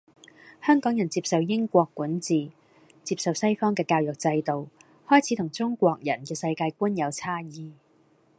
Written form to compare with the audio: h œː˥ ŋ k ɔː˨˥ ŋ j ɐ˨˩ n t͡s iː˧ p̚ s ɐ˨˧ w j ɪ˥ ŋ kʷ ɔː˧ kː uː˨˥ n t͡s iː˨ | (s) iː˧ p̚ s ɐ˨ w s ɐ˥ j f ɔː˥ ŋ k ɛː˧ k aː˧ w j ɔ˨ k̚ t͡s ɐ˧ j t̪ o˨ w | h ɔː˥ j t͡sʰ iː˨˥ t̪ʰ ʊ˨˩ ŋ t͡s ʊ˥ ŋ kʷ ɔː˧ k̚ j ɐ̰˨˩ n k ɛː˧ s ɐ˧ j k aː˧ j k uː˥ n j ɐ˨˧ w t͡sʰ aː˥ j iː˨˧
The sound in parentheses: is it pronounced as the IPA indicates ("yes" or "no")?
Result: no